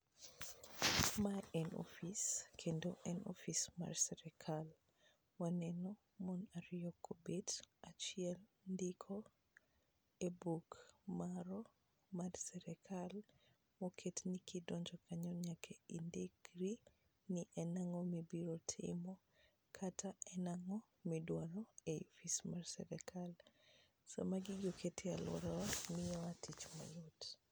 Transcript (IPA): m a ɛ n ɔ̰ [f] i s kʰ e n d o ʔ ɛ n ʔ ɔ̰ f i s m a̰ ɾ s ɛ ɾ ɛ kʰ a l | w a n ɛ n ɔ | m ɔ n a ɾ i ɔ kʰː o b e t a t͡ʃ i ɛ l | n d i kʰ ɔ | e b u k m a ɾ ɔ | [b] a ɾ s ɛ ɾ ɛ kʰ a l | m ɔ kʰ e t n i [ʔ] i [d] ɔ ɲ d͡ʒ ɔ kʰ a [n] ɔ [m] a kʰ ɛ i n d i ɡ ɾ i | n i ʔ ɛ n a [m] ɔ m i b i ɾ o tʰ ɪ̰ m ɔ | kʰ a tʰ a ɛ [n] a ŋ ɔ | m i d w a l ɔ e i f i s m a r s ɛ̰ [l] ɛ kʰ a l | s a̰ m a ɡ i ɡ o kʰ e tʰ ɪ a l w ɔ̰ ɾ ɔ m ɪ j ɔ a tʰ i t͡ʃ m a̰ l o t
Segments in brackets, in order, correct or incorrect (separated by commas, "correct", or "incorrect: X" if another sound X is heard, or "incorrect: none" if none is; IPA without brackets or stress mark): correct, incorrect: m, incorrect: k, correct, incorrect: ɲ, incorrect: ɲ, incorrect: ŋ, correct, incorrect: ɾ